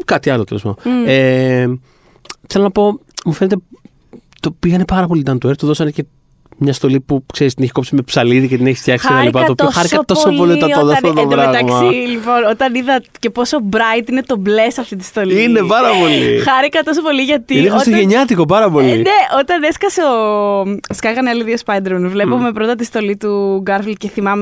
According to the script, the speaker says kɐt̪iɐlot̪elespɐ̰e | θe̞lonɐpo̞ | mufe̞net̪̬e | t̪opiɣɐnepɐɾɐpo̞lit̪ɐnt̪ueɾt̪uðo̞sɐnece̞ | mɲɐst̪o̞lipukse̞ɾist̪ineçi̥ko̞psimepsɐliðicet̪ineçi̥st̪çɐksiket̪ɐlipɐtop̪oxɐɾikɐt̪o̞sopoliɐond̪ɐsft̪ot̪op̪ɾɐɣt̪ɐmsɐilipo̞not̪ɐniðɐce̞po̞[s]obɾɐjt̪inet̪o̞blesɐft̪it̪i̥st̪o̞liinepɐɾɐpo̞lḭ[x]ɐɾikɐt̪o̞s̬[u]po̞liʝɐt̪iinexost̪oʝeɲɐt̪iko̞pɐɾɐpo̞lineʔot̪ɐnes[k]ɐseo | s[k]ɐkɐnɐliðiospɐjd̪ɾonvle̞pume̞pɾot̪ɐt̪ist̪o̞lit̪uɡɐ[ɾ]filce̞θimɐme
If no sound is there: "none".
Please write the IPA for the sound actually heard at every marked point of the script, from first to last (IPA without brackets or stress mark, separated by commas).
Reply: s, x, o, k, k, ɾ